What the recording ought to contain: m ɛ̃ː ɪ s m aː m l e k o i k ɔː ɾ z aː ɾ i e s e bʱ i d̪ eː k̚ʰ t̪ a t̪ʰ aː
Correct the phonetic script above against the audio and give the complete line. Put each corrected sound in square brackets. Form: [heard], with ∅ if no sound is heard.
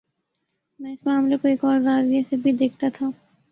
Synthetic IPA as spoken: m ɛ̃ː ɪ s m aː m l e k o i k ɔː ɾ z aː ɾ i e s e bʱ i d̪ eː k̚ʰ t̪ a t̪ʰ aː